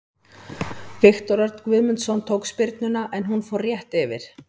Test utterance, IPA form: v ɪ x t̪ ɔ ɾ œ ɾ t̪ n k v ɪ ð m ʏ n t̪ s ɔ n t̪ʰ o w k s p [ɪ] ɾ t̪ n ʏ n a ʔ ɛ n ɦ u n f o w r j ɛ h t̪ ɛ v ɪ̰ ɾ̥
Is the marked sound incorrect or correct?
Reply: correct